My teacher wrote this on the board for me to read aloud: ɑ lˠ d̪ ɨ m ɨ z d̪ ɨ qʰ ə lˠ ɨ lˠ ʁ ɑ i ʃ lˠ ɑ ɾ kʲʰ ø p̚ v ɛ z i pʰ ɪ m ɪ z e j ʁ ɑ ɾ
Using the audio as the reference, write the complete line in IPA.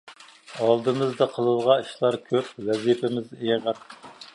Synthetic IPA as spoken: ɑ lˠ d̪ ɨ m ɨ z d̪ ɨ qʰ ə lˠ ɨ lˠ ʁ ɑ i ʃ lˠ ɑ ɾ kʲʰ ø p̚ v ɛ z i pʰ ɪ m ɪ z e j ʁ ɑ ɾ

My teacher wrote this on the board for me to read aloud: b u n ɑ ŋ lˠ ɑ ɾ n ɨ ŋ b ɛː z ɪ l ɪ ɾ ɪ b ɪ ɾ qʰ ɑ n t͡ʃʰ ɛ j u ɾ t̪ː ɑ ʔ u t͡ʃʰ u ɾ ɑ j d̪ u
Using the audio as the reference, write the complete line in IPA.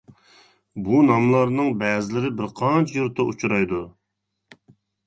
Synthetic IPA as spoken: b u n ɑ m lˠ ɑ ɾ n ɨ ŋ b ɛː z ɪ l ɪ ɾ ɪ b ɪ ɾ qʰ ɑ n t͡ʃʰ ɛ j u ɾ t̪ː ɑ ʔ u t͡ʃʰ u ɾ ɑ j d̪ u

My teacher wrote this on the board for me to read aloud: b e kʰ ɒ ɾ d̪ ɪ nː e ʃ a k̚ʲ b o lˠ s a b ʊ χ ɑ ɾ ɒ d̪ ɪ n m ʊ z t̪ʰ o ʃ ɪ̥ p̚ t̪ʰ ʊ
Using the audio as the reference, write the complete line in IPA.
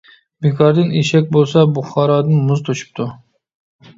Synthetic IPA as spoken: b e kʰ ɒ ɾ d̪ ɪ n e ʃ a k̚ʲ b o lˠ s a b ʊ χ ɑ ɾ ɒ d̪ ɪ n m ʊ z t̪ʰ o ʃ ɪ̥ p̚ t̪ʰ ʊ

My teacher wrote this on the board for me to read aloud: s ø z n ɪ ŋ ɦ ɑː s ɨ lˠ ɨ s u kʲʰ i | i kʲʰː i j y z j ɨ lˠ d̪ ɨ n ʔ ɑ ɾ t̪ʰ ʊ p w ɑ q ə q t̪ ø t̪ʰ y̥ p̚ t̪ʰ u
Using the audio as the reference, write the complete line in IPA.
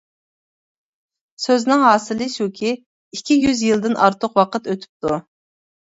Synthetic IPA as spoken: s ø z n ɪ ŋ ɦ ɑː s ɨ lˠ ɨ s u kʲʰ i | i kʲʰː i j y z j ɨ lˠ d̪ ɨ n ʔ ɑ ɾ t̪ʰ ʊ q w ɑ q ə t̪ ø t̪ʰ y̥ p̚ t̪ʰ u

